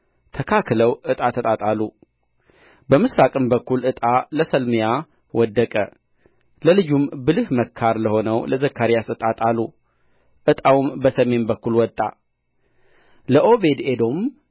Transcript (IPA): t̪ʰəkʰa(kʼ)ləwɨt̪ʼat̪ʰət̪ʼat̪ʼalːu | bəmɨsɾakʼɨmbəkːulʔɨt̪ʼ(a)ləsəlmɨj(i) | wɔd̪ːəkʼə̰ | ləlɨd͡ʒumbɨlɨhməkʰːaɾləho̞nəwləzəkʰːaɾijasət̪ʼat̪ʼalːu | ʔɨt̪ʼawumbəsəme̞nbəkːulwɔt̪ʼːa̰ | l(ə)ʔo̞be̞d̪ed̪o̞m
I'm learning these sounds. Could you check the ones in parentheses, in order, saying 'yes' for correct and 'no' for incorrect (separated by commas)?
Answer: no, yes, no, yes